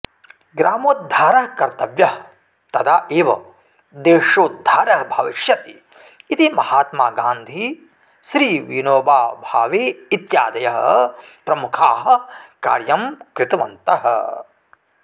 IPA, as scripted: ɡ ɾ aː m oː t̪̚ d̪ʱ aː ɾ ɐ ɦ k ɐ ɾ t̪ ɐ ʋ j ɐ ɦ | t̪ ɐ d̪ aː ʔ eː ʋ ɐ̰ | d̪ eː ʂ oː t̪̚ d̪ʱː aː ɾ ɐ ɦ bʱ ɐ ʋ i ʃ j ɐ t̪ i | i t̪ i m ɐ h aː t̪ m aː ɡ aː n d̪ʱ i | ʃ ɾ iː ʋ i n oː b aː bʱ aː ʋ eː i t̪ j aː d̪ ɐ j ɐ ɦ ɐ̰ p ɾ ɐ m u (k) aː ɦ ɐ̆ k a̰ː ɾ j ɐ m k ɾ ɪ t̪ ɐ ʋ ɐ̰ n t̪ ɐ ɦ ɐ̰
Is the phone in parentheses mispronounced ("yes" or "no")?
yes